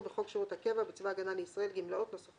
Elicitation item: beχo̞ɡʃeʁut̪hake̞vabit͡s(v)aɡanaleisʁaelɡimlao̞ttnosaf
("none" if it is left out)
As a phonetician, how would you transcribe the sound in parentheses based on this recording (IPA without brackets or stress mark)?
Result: v